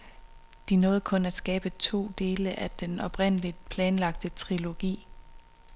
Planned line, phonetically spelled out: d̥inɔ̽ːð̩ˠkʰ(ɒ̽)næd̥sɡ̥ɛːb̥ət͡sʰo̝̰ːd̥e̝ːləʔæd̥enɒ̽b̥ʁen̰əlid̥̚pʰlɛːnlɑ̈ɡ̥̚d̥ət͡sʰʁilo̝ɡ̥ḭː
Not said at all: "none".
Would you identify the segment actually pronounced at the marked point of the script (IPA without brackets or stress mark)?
ɔ̽